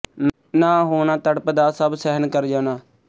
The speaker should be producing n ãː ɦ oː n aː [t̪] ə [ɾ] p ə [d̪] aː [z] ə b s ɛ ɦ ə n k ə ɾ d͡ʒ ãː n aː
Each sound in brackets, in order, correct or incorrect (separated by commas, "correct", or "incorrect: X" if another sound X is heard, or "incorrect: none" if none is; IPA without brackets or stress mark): correct, incorrect: ɽ, correct, incorrect: s